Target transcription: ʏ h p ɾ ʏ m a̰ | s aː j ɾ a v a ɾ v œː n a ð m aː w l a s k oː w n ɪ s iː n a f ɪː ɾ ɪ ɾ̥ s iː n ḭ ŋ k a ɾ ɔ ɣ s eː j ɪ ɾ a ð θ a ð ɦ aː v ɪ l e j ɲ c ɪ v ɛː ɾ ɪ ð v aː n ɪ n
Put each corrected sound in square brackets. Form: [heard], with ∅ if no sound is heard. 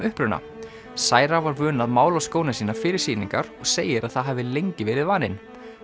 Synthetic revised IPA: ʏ h p ɾ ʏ [n] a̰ | s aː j ɾ a v a ɾ v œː n a ð m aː w l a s k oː w n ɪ s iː n a f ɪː ɾ ɪ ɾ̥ s iː n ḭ ŋ k a ɾ ɔ ɣ s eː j ɪ ɾ a ð θ a ð ɦ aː v ɪ l e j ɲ c ɪ v ɛː ɾ ɪ ð v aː n ɪ n